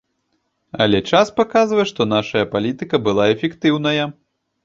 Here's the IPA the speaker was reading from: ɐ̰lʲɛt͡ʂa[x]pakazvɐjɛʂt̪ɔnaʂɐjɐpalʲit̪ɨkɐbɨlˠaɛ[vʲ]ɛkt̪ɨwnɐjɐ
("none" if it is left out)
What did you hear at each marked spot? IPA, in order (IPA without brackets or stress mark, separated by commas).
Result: s, fʲ